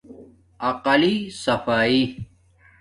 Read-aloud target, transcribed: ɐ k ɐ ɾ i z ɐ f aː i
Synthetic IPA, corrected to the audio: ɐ q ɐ l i s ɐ f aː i

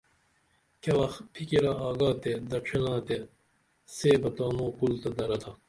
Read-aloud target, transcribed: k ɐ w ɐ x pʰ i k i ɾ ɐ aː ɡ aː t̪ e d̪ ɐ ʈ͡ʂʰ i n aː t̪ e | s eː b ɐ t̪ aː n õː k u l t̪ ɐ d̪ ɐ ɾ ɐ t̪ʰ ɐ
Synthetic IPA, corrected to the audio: k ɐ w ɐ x pʰ i k i ɾ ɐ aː ɡ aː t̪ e d̪ ɐ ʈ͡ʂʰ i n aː t̪ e | s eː b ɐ t̪ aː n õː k u l t̪ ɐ d̪ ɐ ɾ ɐ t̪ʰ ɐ

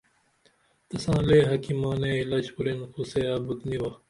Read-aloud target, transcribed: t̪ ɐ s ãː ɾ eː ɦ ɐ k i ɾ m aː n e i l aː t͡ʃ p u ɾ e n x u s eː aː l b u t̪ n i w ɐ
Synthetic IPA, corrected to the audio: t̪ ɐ s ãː l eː ɦ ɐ k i m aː n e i l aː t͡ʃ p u ɾ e n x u s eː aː b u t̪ n i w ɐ

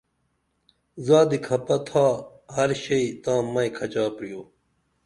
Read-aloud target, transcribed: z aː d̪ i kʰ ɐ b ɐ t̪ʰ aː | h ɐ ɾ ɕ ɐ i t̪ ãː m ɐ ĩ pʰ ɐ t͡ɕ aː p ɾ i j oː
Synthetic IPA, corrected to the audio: z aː d̪ i kʰ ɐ p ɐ t̪ʰ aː | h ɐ ɾ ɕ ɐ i t̪ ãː m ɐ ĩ kʰ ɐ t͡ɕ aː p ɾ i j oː

